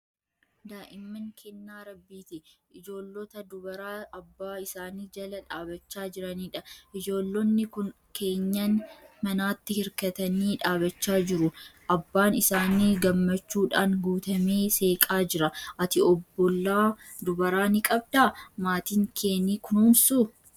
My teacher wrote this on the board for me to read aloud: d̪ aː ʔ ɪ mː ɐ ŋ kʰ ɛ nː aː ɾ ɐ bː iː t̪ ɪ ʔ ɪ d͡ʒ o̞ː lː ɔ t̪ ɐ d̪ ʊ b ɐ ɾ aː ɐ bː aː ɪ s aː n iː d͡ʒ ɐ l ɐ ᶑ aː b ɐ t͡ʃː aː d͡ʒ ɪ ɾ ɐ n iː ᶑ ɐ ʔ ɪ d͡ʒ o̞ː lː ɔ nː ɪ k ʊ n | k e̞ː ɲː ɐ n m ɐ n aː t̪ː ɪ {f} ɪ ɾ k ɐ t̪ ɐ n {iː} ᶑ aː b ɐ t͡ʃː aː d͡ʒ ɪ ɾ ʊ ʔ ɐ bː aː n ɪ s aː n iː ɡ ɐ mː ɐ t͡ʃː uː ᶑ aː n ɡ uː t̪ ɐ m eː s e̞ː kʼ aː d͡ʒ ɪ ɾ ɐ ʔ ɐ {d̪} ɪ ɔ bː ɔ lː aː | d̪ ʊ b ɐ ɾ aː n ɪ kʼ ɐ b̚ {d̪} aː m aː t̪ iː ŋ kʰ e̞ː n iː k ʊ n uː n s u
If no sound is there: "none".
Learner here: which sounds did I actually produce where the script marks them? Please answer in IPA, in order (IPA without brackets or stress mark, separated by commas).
h, iː, t̪, d̪